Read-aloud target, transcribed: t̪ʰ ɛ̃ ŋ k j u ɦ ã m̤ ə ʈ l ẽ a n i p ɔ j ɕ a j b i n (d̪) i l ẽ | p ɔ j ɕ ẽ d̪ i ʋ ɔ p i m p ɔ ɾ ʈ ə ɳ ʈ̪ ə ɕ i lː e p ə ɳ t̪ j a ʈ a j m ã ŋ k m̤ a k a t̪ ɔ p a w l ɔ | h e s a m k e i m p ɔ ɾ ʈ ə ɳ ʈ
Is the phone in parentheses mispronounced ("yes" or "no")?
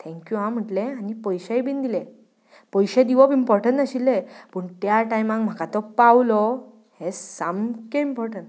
no